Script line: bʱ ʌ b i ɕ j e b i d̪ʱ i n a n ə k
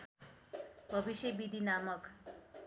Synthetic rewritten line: bʱ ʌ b i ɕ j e b i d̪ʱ i n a m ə k